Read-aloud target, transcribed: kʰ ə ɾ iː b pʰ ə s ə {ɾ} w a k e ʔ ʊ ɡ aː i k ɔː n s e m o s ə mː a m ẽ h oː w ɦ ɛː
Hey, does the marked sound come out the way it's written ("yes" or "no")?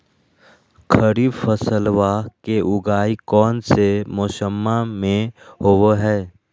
no